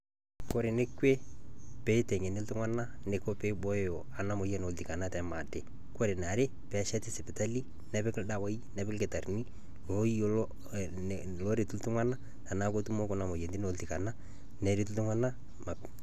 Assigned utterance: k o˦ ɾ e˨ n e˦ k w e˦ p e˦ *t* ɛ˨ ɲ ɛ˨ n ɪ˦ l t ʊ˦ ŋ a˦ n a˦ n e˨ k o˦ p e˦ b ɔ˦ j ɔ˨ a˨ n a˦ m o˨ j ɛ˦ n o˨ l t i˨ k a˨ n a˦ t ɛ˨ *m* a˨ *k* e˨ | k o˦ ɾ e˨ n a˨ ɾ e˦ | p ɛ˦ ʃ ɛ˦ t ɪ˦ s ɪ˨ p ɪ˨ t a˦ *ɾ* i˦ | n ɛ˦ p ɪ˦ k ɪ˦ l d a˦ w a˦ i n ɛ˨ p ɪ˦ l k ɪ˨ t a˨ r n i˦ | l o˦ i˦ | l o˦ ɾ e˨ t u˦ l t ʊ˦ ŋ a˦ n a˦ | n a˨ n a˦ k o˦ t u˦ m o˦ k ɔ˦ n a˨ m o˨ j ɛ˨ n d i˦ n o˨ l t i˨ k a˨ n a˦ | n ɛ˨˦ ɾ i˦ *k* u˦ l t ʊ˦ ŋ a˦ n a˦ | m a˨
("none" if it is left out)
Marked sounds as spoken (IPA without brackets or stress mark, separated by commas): t, m, t, l, t